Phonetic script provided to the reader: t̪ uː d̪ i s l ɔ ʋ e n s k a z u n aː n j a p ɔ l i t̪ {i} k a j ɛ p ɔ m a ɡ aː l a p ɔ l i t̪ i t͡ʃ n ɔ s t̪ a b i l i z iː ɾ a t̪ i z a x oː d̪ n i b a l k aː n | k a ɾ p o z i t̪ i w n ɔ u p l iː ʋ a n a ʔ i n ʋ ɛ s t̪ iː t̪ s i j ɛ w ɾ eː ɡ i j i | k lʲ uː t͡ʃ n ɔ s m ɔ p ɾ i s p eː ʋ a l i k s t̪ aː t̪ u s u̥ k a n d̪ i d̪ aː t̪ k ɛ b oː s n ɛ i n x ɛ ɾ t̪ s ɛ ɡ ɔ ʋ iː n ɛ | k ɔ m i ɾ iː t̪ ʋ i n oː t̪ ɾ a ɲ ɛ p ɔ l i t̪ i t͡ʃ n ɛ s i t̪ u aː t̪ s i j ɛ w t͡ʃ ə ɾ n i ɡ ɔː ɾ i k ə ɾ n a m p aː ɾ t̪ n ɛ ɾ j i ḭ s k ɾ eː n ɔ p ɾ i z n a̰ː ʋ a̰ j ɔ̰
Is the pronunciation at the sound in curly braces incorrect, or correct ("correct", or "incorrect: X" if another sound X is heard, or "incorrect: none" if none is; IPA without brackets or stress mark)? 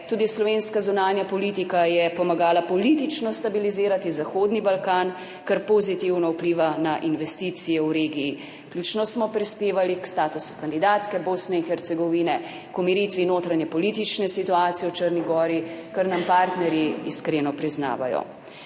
correct